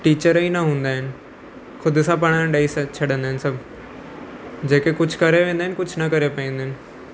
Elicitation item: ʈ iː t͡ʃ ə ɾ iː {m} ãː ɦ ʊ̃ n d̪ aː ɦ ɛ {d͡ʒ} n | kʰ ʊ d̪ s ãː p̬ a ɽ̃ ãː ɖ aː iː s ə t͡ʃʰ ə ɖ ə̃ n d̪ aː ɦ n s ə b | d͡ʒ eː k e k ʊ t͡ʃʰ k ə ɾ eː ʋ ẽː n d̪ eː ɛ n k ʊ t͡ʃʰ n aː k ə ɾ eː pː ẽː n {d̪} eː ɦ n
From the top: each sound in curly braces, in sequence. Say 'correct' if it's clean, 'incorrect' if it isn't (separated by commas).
incorrect, incorrect, correct